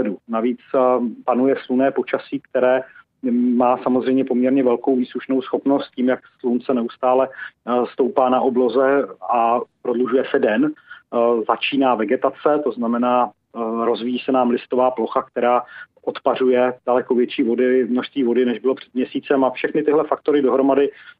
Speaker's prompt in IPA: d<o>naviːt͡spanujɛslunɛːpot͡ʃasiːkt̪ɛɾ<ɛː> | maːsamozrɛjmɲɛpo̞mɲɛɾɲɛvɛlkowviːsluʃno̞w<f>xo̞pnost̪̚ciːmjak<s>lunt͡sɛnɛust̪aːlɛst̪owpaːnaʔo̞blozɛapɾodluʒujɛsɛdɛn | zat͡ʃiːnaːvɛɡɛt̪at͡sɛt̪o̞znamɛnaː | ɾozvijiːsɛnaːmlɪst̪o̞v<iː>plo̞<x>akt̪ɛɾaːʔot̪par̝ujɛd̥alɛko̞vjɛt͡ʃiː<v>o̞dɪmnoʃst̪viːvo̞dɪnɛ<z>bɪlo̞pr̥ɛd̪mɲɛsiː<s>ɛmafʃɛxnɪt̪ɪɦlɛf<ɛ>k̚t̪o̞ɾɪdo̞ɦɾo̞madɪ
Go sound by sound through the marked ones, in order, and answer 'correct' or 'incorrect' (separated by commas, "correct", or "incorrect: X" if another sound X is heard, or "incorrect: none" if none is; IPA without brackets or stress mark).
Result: incorrect: u, correct, incorrect: s, correct, incorrect: aː, correct, correct, incorrect: ʒ, incorrect: t͡s, incorrect: a